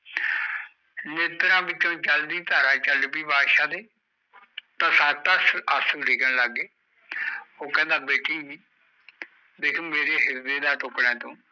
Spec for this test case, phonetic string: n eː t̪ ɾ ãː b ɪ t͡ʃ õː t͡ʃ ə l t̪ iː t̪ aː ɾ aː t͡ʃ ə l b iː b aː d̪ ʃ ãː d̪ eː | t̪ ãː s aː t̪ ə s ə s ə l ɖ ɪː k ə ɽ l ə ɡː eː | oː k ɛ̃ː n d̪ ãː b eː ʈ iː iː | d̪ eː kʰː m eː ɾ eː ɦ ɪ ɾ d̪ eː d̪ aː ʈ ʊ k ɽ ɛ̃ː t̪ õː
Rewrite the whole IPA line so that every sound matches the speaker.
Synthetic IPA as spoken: n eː t̪ ɾ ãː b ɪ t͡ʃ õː t͡ʃ ə l d̪ iː t̪ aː ɾ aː t͡ʃ ə l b iː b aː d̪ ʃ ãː d̪ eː | t̪ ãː s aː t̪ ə s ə s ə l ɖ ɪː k ə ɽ l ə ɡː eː | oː k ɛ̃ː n d̪ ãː b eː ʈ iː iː | d̪ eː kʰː m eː ɾ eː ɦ ɪ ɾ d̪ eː d̪ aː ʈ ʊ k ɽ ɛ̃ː t̪ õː